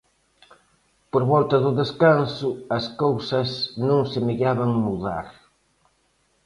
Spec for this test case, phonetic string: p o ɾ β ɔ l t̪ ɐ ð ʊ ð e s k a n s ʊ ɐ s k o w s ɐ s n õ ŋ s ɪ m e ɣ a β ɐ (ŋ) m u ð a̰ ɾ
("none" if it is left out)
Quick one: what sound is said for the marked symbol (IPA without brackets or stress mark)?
ŋ